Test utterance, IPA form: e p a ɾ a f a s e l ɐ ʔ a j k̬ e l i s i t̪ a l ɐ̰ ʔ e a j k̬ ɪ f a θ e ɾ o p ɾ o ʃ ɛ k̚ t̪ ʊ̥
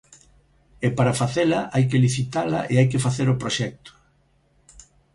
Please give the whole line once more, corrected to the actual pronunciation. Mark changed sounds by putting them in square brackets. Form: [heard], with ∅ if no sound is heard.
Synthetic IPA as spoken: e p a ɾ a f a [θ] e l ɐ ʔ a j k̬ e l i [θ] i t̪ a l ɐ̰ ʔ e a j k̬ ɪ f a θ e ɾ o p ɾ o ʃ ɛ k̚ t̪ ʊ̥